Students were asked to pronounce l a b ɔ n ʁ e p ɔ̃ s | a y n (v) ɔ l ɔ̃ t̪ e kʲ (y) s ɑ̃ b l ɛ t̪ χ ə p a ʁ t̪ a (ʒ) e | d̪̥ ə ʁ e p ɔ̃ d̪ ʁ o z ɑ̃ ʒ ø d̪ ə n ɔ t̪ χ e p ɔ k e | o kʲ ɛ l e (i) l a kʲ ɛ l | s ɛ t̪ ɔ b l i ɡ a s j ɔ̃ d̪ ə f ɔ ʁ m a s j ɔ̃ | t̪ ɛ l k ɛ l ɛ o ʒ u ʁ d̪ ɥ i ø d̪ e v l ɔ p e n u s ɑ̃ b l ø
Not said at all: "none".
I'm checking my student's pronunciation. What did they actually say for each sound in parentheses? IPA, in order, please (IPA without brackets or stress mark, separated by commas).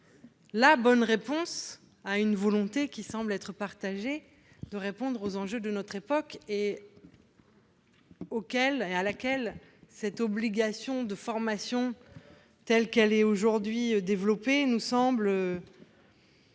v, i, ʒ, a